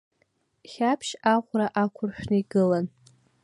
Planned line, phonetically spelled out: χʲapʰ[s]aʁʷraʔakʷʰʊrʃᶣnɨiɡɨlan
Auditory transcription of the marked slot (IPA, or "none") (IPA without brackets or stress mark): ʃ